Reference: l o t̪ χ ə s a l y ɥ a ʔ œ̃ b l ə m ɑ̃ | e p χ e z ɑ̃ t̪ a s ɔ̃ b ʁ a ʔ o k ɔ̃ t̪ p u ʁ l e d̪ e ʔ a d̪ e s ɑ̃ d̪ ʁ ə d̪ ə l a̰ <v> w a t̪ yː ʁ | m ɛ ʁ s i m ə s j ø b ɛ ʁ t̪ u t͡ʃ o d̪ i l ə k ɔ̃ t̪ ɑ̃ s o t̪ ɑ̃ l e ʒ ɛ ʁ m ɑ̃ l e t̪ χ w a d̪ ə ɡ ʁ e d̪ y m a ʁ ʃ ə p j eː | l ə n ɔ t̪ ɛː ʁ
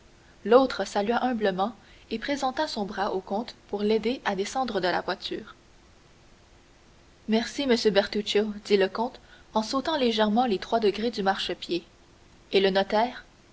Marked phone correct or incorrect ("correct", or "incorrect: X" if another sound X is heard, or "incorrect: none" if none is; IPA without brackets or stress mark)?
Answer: correct